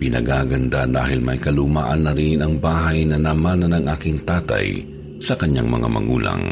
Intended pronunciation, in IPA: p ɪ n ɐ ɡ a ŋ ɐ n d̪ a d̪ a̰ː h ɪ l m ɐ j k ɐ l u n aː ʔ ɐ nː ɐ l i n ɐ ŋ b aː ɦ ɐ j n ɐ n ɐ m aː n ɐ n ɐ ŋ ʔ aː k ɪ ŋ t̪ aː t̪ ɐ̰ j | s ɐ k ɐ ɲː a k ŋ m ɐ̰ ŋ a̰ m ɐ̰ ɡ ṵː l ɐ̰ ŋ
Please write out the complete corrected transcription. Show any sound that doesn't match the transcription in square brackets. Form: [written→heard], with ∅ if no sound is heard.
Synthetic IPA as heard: p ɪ n ɐ ɡ a [ŋ→ɡ] ɐ n d̪ a d̪ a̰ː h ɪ l m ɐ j k ɐ l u [n→m] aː ʔ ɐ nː ɐ [l→ɾ] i n ɐ ŋ b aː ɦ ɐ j n ɐ n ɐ m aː n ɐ n ɐ ŋ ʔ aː k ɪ ŋ t̪ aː t̪ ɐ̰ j | s ɐ k ɐ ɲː a [k→∅] ŋ m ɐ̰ ŋ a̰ m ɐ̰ ɡ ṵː l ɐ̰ ŋ